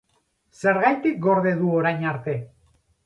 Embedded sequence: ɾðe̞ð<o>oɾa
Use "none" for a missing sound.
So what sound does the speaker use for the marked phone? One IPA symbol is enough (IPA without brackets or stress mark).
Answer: u